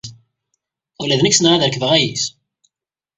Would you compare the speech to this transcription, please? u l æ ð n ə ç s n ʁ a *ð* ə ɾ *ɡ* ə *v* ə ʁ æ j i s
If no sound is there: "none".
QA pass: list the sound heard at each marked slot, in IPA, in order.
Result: ð, k, v

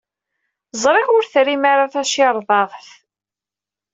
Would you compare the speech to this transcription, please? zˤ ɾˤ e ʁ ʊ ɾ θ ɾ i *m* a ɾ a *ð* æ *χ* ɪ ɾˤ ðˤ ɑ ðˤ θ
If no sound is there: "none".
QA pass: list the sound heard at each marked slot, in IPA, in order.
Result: m, θ, ʃ

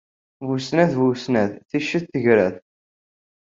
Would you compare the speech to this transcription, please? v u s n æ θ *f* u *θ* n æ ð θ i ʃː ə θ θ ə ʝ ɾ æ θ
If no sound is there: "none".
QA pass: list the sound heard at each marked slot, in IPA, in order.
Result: v, s

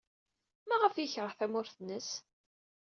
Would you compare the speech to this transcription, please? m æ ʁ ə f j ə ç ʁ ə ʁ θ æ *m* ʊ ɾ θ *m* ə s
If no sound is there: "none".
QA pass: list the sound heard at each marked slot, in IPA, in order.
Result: m, n

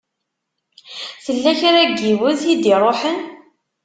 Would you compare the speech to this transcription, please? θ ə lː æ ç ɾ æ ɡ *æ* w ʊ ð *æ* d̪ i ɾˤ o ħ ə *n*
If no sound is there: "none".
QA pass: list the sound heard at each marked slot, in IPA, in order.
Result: i, i, n

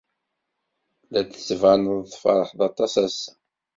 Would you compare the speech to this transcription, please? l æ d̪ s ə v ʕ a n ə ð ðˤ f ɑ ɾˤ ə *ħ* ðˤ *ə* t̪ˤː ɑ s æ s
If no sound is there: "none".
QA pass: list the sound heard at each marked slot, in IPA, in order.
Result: ħ, ɑ

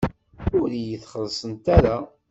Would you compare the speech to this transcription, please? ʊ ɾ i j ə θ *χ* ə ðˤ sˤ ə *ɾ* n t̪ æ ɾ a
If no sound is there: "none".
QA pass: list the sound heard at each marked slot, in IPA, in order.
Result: χ, none

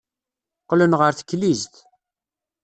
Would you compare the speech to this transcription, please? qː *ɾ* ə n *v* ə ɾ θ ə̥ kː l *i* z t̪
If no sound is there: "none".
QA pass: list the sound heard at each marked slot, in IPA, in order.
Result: l, ʁ, i

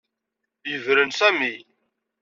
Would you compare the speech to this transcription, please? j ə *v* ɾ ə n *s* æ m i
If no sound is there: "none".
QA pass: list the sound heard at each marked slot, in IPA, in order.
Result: v, s

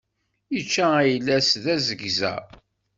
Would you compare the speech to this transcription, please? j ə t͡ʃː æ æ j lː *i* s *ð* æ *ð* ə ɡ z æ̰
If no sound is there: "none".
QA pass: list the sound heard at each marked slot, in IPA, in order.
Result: æ, ð, z

